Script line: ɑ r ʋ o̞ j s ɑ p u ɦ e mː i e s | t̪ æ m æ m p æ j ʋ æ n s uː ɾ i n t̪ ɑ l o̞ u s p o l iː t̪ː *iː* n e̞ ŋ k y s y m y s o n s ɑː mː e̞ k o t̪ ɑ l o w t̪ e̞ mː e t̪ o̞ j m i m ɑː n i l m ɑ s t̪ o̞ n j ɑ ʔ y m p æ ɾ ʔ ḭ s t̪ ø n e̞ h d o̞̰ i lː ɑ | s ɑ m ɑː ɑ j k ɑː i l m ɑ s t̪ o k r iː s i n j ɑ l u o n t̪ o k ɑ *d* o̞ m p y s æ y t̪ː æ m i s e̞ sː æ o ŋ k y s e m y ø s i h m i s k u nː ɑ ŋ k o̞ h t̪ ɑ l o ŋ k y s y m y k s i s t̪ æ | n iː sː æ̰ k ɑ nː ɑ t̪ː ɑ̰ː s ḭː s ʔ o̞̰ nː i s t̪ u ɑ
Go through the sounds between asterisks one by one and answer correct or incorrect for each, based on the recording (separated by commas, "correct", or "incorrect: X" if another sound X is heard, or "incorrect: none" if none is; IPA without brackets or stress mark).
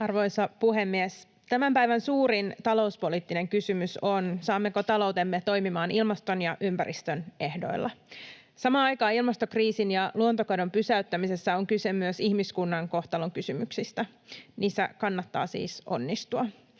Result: incorrect: i, correct